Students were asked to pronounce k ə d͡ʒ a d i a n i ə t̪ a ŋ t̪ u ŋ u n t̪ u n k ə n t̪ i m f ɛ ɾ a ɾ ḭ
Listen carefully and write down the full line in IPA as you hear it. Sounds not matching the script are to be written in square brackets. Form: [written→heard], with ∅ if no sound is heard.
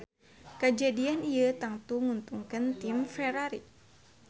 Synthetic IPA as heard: k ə d͡ʒ a d i a n i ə t̪ a ŋ t̪ u ŋ u n t̪ u [n→ŋ] k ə n t̪ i m f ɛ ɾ a ɾ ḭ